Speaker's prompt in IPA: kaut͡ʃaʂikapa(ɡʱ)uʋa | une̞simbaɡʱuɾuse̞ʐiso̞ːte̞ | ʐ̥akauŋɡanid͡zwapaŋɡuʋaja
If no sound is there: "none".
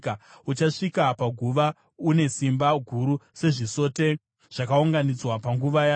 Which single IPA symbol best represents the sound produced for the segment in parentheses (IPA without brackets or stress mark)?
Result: ɡʱ